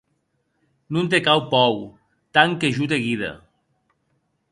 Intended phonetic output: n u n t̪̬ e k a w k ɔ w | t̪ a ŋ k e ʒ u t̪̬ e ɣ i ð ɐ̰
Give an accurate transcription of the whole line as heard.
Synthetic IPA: n u n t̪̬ e k a w p ɔ w | t̪ a ŋ k e ʒ u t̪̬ e ɣ i ð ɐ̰